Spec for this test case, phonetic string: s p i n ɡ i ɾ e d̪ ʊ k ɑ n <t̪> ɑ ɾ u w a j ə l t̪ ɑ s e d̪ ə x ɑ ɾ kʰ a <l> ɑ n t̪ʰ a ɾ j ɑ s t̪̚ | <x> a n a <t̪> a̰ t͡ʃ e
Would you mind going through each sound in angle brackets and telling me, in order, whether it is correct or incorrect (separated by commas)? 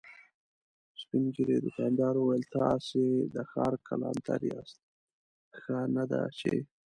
incorrect, correct, correct, incorrect